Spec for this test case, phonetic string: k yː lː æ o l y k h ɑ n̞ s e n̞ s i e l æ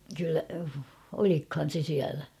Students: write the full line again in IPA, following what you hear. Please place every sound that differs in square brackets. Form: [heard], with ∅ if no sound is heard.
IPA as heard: k [y] lː æ o l [i] k h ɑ n̞ s e [∅] s i [æ] l æ